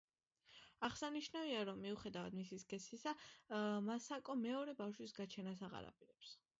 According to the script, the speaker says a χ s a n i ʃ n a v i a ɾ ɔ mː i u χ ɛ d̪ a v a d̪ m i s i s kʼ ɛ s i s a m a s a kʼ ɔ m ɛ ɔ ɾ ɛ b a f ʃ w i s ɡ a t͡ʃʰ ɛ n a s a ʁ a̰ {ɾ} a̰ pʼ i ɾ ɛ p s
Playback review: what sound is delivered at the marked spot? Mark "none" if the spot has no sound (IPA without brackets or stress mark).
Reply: ɾ